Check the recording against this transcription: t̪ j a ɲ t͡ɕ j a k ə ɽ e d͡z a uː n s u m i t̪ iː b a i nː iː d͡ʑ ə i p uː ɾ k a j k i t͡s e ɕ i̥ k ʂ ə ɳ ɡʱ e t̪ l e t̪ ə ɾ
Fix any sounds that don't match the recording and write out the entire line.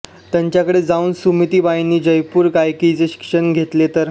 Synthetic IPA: t̪ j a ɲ t͡ɕ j a k ə ɽ e d͡z a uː n s u m i t̪ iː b a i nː iː d͡ʑ ə j p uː ɾ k a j k i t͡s e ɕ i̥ k ʂ ə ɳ ɡʱ e t̪ l e t̪ ə ɾ